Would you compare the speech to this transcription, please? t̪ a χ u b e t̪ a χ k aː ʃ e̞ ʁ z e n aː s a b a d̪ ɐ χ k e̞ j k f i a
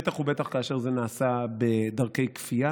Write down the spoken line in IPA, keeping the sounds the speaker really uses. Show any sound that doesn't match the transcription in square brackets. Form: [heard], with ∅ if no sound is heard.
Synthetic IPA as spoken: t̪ a χ u b e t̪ a χ k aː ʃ e̞ ʁ z e n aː s a b [e] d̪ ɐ [ʁ] k e̞ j k f i a